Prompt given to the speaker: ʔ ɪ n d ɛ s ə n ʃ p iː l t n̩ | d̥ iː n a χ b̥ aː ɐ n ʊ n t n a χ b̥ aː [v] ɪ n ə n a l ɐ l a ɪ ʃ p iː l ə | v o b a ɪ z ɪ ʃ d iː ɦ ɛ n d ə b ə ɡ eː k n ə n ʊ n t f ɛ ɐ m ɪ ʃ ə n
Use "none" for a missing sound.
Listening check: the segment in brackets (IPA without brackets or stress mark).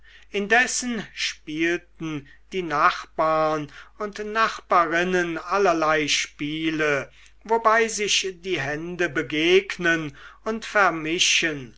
ʁ